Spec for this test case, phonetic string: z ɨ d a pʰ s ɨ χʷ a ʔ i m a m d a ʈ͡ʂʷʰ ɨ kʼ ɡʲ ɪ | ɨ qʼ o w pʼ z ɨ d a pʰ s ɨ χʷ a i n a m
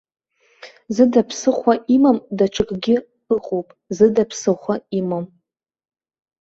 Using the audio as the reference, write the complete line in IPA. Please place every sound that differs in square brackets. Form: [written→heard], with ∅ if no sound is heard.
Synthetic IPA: z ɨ d a pʰ s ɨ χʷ a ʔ i m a m d a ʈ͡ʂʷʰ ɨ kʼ ɡʲ ɪ | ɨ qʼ o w pʼ z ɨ d a pʰ s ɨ χʷ a i [n→m] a m